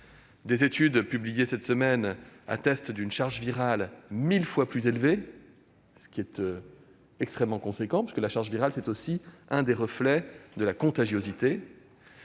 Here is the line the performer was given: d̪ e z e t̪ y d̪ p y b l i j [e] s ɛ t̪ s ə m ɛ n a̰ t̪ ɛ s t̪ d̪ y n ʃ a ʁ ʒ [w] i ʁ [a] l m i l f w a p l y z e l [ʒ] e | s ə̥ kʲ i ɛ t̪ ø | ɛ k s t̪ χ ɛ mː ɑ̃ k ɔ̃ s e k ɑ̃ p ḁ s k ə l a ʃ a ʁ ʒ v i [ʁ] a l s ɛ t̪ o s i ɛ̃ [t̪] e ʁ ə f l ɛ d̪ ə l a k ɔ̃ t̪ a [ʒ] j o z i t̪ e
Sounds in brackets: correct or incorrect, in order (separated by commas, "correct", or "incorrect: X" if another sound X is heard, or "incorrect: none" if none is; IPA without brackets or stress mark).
correct, incorrect: v, correct, incorrect: v, correct, incorrect: d̪, correct